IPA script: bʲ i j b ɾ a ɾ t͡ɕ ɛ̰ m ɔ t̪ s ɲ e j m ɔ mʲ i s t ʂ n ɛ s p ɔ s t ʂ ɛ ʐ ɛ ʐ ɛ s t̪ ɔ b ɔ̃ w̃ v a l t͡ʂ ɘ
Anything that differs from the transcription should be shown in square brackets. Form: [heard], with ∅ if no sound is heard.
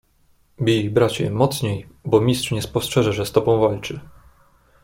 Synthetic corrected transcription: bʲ i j b ɾ a [∅] t͡ɕ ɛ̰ m ɔ t̪ s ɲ e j [b] ɔ mʲ i s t ʂ [ɲ] ɛ s p ɔ s t ʂ ɛ ʐ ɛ ʐ ɛ s t̪ ɔ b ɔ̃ w̃ v a l t͡ʂ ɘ